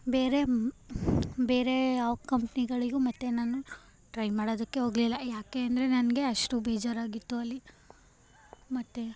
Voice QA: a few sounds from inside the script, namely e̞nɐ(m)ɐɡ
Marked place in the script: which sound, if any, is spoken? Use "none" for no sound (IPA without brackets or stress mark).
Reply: n